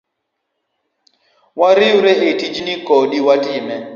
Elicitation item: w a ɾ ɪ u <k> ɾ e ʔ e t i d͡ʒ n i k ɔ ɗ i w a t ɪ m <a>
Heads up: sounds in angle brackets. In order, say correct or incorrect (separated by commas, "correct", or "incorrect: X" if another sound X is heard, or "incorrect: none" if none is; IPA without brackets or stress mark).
incorrect: none, incorrect: ɛ